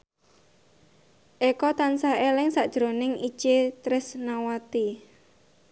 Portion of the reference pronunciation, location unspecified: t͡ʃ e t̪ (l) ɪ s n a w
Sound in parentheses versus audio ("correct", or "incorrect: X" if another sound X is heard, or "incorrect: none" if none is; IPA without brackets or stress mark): incorrect: ɾ